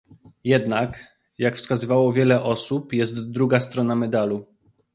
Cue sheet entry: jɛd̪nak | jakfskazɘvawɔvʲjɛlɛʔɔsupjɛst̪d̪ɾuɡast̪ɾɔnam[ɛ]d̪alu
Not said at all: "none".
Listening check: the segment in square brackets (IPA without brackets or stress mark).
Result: ɛ